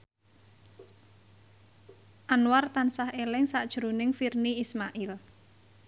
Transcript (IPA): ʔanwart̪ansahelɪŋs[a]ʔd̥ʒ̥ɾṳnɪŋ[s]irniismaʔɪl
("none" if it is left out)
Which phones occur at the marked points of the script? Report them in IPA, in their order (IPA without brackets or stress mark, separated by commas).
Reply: a, f